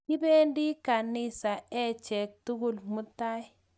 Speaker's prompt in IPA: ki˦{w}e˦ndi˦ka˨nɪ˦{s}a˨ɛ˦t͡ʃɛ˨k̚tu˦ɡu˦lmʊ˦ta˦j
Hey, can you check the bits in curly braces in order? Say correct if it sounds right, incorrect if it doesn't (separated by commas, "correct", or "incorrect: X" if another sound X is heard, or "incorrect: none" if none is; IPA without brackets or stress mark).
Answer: incorrect: b, correct